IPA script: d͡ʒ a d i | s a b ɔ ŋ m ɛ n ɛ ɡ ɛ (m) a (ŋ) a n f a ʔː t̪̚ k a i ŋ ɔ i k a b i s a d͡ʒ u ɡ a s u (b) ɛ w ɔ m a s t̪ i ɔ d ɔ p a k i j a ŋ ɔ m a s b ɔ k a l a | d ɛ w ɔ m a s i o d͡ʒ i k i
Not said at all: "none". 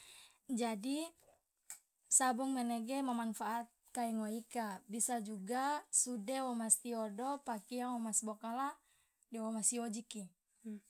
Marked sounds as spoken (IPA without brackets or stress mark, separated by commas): m, m, d